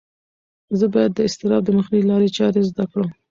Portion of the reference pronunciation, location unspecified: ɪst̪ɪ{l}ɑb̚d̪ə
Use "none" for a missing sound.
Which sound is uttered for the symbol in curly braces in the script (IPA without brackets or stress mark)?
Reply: ɾ